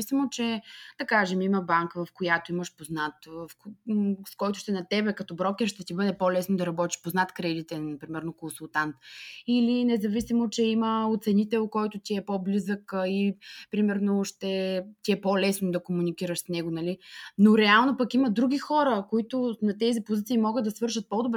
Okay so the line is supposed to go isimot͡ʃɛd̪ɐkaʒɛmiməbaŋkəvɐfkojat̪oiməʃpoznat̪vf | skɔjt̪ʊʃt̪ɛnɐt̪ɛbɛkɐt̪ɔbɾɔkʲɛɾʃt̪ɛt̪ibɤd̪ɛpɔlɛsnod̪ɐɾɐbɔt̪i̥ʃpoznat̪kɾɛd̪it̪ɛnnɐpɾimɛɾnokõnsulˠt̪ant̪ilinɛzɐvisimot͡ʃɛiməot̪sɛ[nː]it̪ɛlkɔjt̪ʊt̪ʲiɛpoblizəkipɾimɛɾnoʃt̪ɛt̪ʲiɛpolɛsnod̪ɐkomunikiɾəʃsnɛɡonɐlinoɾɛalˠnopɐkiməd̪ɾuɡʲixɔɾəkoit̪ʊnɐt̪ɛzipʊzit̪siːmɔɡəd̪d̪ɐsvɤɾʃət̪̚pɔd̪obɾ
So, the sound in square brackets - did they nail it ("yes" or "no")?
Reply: no